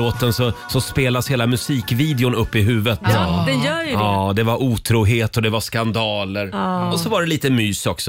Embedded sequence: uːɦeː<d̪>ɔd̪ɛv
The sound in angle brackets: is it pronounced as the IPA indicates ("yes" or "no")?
no